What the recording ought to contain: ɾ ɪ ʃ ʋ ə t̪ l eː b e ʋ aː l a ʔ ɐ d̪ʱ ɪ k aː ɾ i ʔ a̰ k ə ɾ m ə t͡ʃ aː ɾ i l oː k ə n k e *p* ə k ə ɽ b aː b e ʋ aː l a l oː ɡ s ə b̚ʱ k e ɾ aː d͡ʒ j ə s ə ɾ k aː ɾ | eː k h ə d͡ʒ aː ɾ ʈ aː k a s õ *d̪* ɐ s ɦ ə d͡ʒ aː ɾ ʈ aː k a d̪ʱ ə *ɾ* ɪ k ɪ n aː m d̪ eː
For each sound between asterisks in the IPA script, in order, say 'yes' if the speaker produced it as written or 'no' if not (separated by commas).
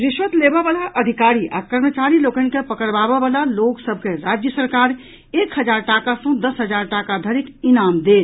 yes, yes, yes